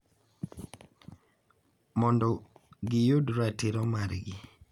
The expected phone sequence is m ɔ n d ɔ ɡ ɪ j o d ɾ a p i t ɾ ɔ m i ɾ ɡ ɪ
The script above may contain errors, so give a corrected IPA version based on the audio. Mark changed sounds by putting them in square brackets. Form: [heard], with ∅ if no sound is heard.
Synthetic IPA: m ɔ n d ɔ ɡ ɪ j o d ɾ a [t] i [∅] ɾ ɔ m [a] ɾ ɡ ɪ